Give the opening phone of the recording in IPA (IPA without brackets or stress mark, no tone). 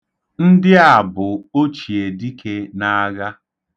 n̩